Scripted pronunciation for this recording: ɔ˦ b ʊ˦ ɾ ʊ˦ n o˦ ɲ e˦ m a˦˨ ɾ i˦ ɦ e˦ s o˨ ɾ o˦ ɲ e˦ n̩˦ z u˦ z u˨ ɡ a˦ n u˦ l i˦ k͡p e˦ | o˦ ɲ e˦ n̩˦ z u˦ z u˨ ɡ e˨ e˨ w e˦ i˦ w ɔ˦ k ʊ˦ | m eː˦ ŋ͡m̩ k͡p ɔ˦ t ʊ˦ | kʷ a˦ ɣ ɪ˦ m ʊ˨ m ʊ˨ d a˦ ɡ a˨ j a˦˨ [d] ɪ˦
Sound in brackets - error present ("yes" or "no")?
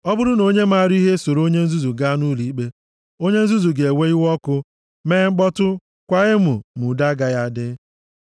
no